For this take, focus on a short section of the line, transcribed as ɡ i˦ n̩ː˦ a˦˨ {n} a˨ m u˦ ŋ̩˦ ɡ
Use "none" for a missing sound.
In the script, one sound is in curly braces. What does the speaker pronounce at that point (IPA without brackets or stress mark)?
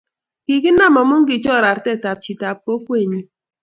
m